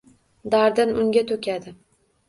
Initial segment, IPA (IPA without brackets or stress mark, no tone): d̪